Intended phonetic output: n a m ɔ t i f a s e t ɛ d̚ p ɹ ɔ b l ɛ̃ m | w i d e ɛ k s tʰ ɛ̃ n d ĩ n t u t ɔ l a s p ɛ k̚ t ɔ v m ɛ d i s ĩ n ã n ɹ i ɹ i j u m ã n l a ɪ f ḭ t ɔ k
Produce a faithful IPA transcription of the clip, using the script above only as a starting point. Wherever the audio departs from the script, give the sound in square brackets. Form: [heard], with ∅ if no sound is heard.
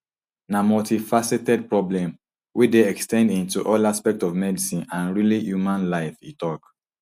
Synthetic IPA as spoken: n a m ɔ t i f a s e t ɛ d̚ p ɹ ɔ b l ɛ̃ m | w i d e ɛ k s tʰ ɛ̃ n d ĩ n t u [ʔ] ɔ l a s p ɛ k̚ t ɔ v m ɛ d i s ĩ n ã n ɹ i [l] i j u m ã n l a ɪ f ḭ t ɔ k